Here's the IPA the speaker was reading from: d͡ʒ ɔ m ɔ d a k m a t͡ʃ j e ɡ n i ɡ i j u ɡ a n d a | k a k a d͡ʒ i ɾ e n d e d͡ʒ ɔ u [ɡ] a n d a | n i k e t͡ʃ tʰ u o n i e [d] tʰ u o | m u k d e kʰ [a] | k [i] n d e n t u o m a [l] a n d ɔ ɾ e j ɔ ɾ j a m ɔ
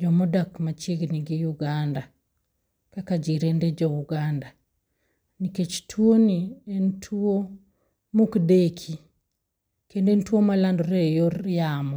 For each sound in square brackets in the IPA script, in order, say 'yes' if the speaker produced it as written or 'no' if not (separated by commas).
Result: yes, no, no, no, yes